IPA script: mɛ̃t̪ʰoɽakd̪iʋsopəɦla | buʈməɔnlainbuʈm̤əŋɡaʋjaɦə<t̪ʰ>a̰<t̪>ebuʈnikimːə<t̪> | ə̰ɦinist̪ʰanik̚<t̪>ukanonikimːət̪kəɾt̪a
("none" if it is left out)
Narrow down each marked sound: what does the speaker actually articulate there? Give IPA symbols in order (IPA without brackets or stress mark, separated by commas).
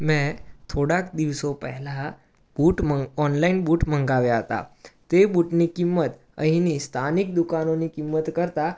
t̪, t̪, t̪, d̪